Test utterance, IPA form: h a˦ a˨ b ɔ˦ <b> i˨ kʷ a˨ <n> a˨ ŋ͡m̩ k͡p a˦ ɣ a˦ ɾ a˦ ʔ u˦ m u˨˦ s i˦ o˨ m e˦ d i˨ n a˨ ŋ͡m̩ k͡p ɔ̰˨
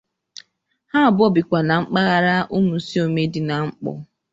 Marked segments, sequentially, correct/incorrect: correct, correct

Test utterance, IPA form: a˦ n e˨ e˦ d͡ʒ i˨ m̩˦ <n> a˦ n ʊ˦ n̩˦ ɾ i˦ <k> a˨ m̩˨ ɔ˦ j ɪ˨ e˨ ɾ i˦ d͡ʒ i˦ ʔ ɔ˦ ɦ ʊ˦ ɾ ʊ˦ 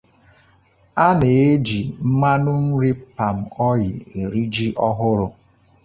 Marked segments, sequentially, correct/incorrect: incorrect, incorrect

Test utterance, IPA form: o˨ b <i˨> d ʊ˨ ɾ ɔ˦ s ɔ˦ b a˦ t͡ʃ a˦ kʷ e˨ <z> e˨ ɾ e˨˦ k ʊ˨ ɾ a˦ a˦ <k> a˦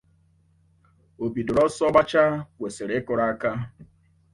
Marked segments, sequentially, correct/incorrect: correct, incorrect, correct

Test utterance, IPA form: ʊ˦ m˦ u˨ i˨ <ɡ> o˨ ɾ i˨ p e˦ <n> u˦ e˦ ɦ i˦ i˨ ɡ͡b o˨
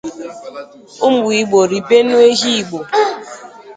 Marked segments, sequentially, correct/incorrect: incorrect, correct

